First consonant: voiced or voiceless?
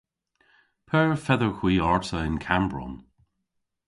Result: voiceless